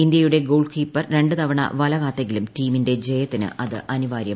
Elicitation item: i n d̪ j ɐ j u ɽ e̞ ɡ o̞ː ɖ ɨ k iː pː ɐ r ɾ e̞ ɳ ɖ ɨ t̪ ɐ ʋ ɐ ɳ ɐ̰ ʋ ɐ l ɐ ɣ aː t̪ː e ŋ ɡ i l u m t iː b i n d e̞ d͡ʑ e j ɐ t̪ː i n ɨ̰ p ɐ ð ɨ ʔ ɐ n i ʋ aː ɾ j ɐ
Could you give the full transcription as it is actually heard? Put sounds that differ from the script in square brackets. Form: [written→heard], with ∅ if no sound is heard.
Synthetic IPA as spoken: i n d̪ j ɐ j u ɽ e̞ ɡ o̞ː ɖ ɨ k iː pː ɐ r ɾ e̞ ɳ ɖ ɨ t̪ ɐ ʋ ɐ ɳ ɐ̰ ʋ ɐ l ɐ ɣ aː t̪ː e ŋ ɡ i l u m t iː [b→m] i n d e̞ d͡ʑ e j ɐ t̪ː i n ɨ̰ [p→ʔ] ɐ ð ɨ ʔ ɐ n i ʋ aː ɾ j ɐ